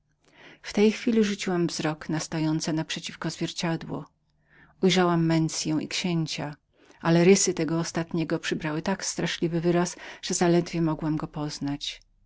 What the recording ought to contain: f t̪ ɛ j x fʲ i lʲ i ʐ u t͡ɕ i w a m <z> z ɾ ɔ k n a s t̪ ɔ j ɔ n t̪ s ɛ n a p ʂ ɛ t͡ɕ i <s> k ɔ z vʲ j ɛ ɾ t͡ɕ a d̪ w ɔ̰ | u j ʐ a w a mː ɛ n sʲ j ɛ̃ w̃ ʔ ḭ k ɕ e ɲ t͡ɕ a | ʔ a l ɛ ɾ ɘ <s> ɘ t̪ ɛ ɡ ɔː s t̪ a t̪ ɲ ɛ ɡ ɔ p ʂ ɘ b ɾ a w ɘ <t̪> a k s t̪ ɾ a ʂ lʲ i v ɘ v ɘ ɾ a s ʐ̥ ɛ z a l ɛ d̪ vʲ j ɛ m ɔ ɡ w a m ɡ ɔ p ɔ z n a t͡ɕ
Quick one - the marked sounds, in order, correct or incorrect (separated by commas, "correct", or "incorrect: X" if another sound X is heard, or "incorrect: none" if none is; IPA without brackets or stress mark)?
incorrect: v, incorrect: f, correct, correct